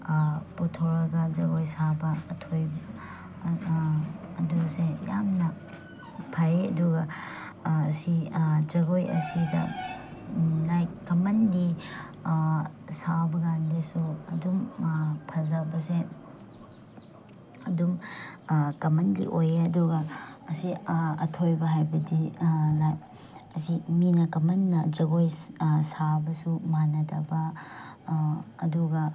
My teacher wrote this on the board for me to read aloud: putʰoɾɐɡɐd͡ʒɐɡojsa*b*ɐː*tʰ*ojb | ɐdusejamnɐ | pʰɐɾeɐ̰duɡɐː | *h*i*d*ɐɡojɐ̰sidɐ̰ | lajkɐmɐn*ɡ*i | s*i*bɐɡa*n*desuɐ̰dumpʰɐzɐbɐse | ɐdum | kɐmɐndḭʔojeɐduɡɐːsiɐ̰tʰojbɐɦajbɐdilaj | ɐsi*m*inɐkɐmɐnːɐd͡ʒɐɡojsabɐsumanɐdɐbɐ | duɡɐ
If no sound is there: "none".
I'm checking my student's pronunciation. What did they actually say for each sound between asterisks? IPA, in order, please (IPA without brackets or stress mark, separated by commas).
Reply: b, tʰ, s, d͡ʒ, d, a, n, m